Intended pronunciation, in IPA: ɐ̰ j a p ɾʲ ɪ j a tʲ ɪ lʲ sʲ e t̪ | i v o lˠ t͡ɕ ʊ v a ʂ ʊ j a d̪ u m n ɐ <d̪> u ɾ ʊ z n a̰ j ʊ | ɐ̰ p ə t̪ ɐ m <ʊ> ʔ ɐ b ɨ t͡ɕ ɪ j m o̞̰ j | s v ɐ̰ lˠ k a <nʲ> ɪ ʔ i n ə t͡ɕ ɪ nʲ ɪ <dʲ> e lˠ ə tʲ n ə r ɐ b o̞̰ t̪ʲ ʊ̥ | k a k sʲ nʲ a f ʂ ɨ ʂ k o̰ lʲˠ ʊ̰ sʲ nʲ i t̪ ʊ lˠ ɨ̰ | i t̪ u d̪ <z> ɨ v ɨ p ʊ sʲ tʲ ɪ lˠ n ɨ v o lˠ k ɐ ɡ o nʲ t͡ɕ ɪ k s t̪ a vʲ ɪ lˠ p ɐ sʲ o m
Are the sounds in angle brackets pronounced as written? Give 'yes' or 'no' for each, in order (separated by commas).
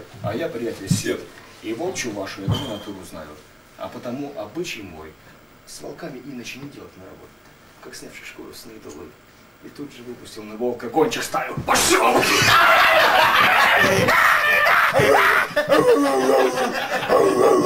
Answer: no, no, no, yes, no